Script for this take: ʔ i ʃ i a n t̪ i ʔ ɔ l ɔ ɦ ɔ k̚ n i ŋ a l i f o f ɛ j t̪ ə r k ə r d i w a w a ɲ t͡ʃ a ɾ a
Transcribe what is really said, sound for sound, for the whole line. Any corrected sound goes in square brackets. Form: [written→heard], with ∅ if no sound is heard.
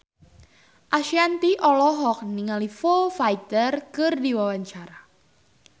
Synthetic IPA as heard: ʔ [i→a] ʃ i a n t̪ i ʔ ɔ l ɔ ɦ ɔ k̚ n i ŋ a l i f o f [ɛ→a] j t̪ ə r k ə r d i w a w a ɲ t͡ʃ a ɾ a